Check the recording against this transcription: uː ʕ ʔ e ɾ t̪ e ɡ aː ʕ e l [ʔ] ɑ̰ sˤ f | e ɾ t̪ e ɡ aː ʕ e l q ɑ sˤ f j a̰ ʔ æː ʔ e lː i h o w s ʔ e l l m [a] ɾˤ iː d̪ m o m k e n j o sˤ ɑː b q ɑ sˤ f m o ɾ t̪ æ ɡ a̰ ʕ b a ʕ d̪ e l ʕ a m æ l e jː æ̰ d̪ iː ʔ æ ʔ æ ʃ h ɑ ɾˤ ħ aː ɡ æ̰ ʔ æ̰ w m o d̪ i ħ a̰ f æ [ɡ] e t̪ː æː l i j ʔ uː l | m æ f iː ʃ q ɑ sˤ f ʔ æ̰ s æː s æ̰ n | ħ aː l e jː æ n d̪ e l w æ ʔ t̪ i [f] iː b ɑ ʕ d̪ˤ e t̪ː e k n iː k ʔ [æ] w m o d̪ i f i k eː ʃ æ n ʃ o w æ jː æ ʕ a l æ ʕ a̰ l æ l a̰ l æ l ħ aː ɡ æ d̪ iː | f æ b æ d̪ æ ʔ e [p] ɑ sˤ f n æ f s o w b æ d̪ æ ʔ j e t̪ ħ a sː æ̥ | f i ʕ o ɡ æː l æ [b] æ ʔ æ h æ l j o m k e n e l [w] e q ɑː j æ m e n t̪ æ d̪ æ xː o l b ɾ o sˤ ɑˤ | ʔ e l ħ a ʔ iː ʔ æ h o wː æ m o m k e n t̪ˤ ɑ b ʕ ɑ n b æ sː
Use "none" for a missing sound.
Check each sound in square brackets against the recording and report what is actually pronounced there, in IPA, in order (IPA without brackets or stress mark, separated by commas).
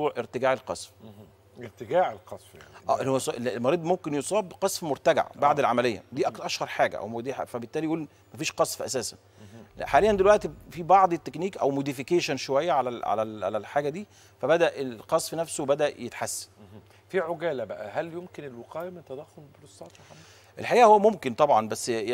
q, ɑ, b, f, æ, q, b, w